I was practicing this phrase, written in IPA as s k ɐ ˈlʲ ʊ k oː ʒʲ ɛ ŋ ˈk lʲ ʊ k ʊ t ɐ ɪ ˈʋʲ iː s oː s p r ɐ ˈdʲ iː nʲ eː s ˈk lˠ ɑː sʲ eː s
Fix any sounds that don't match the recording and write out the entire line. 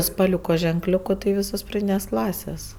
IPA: s p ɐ ˈlʲ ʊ k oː ʒʲ ɛ ŋ ˈk lʲ ʊ k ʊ t ɐ ɪ ˈʋʲ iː s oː s p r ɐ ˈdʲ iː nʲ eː s ˈk lˠ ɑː sʲ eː s